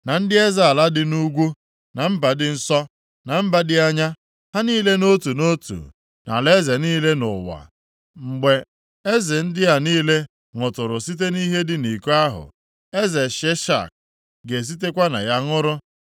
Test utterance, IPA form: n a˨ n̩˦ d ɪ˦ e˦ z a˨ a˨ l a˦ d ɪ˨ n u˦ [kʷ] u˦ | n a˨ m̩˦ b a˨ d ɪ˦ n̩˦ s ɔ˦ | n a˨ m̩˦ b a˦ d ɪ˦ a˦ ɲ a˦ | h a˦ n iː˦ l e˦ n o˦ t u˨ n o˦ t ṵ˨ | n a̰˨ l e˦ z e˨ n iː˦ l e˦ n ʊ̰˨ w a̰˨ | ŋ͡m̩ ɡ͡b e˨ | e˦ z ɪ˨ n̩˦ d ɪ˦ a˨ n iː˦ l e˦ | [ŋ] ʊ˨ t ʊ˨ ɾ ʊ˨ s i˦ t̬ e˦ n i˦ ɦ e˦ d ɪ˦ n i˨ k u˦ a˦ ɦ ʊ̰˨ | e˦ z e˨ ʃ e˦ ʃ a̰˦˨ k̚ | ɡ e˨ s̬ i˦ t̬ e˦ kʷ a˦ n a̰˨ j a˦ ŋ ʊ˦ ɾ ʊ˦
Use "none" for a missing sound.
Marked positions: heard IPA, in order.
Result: ɡʷ, ŋ

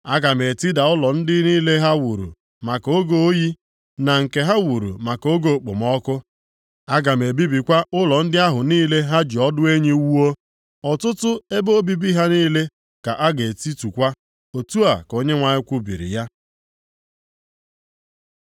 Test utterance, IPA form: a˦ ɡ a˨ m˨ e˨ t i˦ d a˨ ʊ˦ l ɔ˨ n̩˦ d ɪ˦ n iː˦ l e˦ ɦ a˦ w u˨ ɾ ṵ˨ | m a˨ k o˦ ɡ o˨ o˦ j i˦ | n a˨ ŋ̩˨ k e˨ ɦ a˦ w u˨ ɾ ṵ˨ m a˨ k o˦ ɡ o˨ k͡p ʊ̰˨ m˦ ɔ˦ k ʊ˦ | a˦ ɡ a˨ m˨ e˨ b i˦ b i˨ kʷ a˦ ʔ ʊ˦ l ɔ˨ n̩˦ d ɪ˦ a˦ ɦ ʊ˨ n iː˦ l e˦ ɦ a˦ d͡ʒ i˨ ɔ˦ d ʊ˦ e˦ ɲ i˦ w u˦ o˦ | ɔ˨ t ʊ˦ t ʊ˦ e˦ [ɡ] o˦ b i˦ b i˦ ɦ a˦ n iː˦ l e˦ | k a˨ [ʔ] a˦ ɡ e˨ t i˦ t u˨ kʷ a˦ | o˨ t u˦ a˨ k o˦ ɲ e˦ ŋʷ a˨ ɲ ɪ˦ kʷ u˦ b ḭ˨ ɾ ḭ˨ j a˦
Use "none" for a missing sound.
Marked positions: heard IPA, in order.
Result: b, ʔ

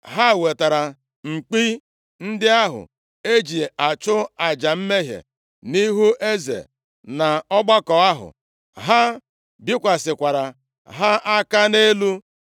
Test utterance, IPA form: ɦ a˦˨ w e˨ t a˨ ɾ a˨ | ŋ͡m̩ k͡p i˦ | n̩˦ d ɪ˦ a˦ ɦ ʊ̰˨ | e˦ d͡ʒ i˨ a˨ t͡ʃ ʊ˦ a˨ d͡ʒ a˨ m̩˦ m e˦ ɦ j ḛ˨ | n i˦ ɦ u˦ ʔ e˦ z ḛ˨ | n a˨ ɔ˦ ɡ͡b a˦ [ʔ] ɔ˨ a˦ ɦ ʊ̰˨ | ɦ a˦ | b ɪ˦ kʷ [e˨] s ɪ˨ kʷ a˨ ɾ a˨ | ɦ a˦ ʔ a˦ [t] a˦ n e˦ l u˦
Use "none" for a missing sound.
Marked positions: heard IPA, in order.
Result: k, a˨, k

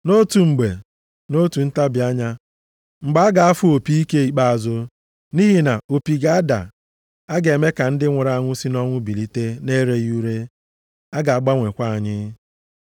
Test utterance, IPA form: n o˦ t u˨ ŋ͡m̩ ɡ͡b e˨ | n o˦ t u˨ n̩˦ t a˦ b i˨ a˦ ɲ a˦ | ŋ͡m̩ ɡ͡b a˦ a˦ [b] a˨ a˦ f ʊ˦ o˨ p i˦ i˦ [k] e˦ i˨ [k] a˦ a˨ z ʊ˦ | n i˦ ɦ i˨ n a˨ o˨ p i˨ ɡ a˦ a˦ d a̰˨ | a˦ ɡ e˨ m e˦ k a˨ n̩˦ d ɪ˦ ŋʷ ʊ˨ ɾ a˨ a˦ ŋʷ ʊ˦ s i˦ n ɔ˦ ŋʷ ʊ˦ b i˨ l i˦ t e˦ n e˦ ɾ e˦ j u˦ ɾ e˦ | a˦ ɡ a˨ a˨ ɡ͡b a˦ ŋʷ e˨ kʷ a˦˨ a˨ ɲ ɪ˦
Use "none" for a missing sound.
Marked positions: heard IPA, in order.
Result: ɡ, k, k͡p

